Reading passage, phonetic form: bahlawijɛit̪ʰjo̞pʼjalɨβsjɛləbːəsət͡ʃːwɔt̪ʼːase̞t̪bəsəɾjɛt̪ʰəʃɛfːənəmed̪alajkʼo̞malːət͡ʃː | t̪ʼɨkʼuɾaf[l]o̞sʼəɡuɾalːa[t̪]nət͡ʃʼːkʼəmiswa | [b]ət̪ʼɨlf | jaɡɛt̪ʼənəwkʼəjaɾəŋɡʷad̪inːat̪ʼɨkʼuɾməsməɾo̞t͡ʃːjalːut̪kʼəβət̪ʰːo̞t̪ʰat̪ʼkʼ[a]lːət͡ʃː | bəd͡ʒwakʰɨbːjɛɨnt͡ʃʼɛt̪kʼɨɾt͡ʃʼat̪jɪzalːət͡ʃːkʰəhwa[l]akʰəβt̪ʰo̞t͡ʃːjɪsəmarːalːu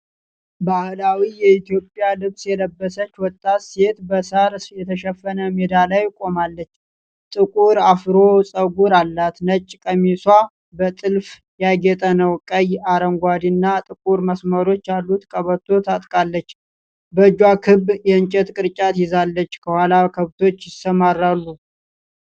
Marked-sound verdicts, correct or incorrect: incorrect: ɾ, correct, correct, correct, correct

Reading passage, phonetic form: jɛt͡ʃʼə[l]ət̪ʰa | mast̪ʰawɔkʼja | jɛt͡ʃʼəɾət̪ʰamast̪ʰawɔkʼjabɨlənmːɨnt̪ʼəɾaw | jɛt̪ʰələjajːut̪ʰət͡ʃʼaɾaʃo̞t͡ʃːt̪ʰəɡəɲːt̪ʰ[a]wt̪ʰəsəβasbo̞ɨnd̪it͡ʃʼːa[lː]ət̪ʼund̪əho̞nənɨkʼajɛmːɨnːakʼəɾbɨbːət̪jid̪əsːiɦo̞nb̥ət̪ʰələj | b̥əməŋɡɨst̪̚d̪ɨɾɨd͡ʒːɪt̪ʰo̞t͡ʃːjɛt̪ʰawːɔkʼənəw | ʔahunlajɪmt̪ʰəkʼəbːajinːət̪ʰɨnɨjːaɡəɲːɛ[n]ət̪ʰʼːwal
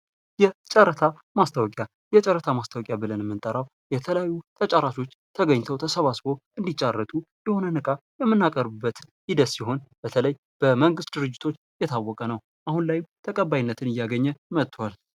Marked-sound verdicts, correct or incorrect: incorrect: ɾ, incorrect: ə, incorrect: rː, incorrect: m

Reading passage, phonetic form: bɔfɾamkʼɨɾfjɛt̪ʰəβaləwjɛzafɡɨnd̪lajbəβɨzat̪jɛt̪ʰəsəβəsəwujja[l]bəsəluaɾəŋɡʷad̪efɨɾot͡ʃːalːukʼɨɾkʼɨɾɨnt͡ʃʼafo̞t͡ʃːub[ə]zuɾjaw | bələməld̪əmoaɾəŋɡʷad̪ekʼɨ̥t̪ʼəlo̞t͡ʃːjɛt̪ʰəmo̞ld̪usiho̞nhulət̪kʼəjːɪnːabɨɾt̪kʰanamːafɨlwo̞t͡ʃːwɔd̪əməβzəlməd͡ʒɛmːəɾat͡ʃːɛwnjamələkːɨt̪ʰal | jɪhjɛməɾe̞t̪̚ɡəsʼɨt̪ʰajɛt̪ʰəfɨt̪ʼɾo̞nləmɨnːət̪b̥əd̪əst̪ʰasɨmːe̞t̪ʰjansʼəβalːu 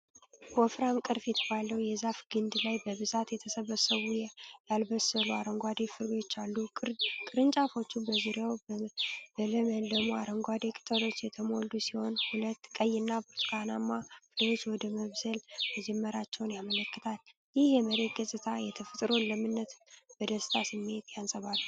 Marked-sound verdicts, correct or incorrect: correct, correct

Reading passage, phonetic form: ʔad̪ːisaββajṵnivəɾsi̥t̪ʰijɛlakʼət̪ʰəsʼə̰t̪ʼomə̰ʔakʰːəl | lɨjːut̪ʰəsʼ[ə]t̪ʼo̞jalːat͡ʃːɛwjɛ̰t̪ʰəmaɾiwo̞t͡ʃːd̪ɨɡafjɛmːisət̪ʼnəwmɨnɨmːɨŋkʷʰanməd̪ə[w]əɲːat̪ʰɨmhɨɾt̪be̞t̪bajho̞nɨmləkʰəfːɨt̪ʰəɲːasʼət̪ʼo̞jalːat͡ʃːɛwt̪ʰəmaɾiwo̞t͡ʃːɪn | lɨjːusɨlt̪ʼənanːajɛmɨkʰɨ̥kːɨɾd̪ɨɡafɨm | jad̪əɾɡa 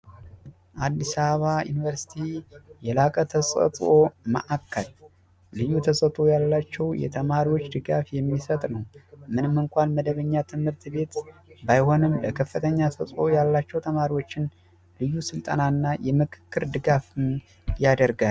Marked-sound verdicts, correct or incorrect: correct, incorrect: β

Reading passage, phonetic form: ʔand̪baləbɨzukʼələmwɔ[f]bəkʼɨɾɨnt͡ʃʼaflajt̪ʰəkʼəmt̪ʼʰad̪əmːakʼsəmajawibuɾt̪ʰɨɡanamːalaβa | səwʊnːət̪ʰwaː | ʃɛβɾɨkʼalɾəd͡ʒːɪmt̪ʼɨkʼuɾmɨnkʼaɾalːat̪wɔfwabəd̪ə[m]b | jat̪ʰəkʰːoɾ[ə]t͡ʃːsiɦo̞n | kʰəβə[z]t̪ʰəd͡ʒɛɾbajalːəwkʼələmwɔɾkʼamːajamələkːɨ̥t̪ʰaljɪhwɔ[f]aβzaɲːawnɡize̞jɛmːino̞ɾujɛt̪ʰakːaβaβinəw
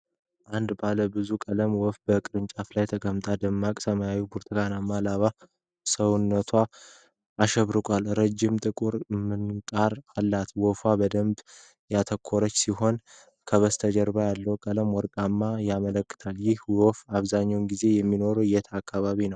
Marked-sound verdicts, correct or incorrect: correct, correct, correct, incorrect: s, correct

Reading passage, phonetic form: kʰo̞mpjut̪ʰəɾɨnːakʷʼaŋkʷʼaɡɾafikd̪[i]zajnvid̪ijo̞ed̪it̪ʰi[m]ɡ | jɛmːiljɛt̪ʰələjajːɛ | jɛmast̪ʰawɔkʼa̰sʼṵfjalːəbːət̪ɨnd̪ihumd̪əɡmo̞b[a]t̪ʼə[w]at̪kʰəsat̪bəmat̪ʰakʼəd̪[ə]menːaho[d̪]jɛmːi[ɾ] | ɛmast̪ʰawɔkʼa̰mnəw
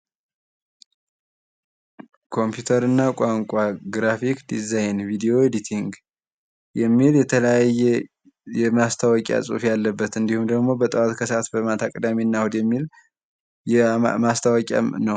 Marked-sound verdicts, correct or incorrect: correct, incorrect: ŋ, incorrect: ə, correct, incorrect: a, correct, incorrect: l

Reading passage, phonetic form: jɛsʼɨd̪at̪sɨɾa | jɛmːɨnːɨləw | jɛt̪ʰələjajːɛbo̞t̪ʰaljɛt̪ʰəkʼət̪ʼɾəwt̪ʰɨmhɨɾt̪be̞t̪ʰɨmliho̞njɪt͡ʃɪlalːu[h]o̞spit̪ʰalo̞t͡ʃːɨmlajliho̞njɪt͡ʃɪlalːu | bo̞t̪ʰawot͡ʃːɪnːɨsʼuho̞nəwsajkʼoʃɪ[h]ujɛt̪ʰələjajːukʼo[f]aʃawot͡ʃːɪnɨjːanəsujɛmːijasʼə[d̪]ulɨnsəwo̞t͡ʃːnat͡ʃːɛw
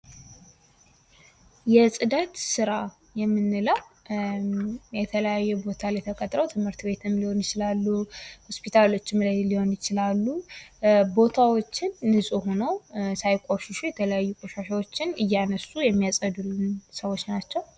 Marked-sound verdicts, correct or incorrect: correct, incorrect: ʃ, incorrect: ʃ, correct

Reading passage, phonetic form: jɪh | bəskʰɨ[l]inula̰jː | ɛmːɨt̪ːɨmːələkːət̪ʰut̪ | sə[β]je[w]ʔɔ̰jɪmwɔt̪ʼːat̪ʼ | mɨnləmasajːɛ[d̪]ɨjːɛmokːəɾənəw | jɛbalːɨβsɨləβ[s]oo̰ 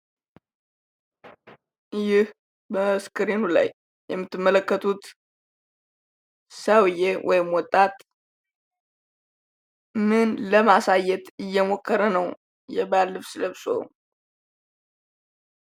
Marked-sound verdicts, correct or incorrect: incorrect: ɾ, incorrect: w, correct, incorrect: t̪, correct

